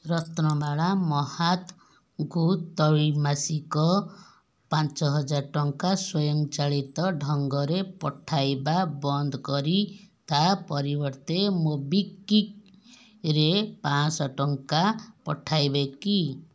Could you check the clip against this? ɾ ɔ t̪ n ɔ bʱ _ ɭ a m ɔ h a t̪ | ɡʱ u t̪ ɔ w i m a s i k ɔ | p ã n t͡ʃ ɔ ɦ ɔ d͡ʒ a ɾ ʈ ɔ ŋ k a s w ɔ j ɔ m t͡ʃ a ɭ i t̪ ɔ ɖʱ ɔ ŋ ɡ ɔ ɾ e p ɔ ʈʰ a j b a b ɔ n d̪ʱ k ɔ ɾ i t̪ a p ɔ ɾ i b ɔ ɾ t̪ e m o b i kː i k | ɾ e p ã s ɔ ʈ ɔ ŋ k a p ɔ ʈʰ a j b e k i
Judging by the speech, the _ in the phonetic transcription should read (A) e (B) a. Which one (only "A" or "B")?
B